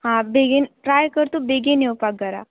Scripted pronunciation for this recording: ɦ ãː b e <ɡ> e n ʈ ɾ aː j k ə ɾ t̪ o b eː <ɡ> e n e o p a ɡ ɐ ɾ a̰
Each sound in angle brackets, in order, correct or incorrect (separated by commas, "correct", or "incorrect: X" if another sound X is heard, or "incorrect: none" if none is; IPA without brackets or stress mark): correct, correct